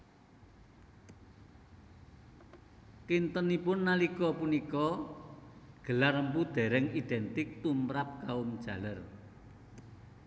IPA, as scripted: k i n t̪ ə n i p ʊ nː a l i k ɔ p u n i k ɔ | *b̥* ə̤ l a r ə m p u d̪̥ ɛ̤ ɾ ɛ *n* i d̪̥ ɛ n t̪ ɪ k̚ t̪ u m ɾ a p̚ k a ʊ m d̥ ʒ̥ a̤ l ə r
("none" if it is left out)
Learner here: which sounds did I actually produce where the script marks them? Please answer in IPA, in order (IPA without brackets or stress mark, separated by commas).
ɡ̥, ŋ